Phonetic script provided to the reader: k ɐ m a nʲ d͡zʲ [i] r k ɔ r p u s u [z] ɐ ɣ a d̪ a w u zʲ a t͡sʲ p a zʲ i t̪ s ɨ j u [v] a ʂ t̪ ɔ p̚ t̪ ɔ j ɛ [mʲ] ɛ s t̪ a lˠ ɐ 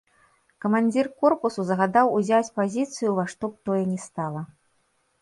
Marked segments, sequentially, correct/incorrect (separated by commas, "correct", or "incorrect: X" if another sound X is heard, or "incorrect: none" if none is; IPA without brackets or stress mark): correct, correct, correct, incorrect: nʲ